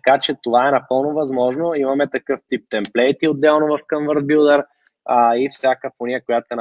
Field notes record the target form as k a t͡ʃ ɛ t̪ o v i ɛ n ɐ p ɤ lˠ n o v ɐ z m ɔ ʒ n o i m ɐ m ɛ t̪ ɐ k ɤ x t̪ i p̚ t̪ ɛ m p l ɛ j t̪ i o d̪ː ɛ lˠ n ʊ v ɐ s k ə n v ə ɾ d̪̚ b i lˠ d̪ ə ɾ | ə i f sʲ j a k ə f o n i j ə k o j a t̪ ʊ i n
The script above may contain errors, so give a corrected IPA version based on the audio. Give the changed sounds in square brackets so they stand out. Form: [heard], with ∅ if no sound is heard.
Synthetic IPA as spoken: k a t͡ʃ ɛ t̪ o v [a] ɛ n ɐ p ɤ lˠ n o v ɐ z m ɔ ʒ n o i m ɐ m ɛ t̪ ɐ k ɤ [f] t̪ i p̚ t̪ ɛ m p l ɛ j t̪ i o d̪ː ɛ lˠ n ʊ v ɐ [f] k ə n v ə ɾ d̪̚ b i lˠ d̪ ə ɾ | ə i f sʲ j a k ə f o n i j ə k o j a t̪ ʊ [ɛ] n